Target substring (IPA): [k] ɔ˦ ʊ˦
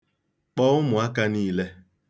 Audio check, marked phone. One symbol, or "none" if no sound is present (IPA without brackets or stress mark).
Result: k͡p